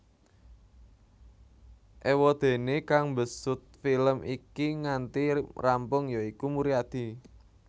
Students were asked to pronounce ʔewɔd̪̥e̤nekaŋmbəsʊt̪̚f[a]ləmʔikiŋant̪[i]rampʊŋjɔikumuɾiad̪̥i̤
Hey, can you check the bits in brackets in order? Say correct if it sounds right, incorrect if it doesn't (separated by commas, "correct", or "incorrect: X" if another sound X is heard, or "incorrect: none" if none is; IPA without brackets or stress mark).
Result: incorrect: i, correct